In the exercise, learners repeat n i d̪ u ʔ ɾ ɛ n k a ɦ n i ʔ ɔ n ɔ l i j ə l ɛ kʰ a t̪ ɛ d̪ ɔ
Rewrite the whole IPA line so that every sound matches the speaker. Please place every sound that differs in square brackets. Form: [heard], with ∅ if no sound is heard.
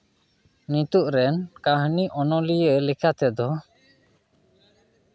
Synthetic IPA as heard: n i [t̪] u ʔ ɾ ɛ n k a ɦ n i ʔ ɔ n ɔ l i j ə l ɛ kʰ a t̪ ɛ d̪ ɔ